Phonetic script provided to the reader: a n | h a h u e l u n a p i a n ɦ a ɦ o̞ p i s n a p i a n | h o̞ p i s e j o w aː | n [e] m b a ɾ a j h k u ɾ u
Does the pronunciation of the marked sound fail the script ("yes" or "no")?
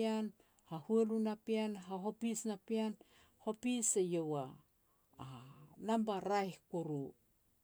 yes